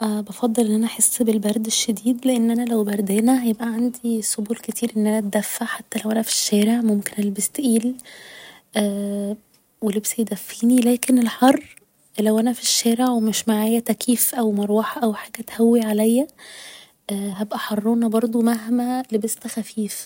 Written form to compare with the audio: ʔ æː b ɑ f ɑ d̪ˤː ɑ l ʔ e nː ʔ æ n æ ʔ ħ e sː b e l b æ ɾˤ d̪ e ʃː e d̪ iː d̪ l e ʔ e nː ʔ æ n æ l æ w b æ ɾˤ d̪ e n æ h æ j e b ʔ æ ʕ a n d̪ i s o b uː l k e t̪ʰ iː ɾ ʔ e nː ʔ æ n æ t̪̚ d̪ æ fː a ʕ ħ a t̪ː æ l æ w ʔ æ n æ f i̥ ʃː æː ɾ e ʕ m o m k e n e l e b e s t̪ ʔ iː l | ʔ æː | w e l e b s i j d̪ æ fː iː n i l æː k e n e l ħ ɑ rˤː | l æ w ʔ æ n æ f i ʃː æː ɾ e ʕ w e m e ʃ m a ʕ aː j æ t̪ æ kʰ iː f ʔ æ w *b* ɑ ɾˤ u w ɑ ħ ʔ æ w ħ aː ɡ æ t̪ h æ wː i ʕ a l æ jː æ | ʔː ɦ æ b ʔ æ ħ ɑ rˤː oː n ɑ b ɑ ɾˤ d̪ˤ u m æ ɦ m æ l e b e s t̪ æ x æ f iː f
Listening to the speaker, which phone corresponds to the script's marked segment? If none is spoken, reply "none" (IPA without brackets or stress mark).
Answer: m